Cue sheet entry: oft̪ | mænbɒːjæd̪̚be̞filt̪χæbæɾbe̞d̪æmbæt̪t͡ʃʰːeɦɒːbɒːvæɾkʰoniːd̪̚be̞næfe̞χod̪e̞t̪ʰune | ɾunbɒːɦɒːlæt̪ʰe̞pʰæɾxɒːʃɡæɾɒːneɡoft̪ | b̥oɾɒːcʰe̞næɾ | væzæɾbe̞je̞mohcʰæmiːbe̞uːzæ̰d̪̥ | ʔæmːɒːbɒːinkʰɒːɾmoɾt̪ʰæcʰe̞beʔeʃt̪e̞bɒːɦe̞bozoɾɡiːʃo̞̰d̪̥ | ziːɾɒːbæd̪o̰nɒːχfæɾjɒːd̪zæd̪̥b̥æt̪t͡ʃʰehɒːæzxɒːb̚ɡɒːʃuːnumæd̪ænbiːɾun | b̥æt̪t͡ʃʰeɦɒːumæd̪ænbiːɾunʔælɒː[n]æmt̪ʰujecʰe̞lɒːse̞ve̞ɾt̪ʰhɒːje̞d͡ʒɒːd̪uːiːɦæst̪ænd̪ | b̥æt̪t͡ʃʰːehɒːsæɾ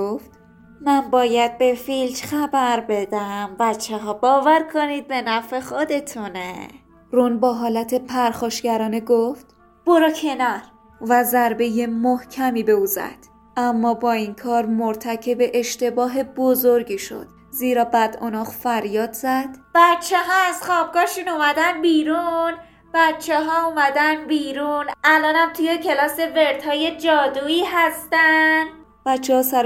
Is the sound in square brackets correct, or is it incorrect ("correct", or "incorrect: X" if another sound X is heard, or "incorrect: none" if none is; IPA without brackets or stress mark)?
correct